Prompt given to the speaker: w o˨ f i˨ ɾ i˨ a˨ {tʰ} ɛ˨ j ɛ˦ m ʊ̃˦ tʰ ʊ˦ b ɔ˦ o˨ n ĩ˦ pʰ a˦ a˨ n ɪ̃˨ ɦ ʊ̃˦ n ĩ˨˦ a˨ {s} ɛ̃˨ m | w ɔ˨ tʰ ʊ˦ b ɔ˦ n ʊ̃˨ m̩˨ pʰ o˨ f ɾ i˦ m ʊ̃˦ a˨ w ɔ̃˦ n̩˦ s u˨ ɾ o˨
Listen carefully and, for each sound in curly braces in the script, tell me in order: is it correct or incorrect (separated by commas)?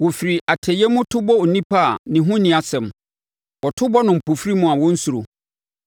correct, correct